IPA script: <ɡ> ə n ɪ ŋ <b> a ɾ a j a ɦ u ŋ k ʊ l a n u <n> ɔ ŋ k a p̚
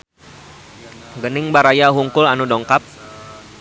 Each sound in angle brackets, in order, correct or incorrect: correct, correct, incorrect

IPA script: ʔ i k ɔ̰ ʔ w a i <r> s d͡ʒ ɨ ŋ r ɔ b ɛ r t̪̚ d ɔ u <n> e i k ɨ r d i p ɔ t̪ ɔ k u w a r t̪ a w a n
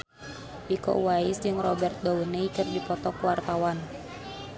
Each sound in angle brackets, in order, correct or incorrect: incorrect, correct

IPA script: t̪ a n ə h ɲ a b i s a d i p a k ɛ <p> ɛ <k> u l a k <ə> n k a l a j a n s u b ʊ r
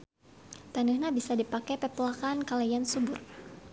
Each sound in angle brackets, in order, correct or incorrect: correct, incorrect, incorrect

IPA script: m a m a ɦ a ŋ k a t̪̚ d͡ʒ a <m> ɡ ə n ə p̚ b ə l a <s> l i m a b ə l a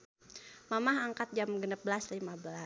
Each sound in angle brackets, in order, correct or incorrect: correct, correct

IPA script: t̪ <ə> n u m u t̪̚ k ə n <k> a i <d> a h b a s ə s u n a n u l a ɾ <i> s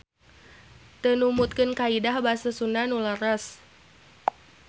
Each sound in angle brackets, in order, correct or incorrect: correct, correct, correct, incorrect

